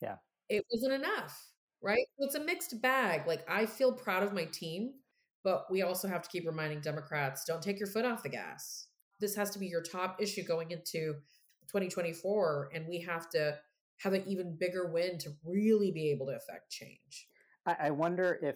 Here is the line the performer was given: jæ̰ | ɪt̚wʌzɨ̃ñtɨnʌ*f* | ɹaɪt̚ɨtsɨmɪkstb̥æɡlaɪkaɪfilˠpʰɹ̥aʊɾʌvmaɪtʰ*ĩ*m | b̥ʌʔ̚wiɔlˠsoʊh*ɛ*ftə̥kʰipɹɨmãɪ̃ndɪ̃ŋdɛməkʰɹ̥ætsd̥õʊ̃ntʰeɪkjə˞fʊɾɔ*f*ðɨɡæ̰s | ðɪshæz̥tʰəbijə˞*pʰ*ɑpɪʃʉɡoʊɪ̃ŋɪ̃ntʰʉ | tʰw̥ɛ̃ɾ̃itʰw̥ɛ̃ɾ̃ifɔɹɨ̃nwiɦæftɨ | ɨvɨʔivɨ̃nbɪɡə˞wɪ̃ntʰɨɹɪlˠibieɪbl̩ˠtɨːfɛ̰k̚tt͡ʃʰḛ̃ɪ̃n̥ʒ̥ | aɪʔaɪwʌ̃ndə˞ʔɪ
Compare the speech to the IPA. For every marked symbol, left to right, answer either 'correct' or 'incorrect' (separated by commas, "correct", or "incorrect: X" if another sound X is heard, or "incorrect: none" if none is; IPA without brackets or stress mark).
correct, correct, incorrect: æ, correct, incorrect: tʰ